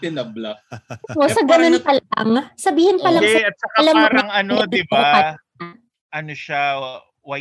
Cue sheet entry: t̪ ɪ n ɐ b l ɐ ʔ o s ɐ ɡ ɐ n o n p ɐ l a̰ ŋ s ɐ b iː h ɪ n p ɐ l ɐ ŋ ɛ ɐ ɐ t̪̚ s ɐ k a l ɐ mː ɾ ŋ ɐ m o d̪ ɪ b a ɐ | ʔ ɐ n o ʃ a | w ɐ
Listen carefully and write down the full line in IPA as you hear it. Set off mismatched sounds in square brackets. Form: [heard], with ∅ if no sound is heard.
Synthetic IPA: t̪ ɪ n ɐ b l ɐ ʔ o s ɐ ɡ ɐ n o n p ɐ l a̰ ŋ s ɐ b iː h ɪ n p ɐ l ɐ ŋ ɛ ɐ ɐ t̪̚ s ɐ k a l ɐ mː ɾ ŋ ɐ [n] o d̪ ɪ b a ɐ | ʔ ɐ n o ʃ a | w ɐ